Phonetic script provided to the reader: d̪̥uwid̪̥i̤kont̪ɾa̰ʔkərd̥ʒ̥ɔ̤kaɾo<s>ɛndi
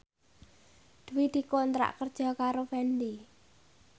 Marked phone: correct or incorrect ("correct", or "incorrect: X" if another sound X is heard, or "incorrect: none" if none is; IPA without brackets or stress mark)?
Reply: incorrect: f